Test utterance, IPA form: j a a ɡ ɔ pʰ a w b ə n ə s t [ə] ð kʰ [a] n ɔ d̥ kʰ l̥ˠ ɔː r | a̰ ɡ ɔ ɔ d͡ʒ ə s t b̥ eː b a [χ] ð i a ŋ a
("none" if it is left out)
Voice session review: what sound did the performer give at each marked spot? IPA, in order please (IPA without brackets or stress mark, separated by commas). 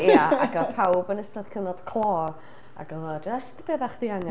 a, ə, χ